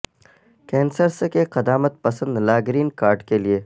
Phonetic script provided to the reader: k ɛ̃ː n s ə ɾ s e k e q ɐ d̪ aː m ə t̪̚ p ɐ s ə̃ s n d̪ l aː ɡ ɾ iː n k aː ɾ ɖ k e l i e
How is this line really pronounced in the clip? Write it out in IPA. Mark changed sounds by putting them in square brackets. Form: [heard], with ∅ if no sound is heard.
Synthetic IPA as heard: k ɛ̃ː n s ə ɾ s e k e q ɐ d̪ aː m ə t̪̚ p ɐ s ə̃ [∅] n d̪ l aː ɡ ɾ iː n k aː ɾ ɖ k e l i e

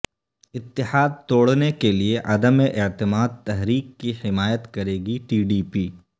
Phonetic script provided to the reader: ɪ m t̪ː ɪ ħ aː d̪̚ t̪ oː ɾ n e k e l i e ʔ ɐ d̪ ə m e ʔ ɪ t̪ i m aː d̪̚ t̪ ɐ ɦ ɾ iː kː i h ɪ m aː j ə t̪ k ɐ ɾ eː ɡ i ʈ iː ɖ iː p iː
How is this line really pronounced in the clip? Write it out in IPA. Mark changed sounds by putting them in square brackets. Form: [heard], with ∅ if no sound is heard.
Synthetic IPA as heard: ɪ [∅] t̪ː ɪ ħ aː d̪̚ t̪ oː [ɽ] n e k e l i e ʔ ɐ d̪ ə m e ʔ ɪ t̪ [ɪ] m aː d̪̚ t̪ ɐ ɦ ɾ iː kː i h ɪ m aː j ə t̪ k ɐ ɾ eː ɡ i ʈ iː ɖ iː p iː

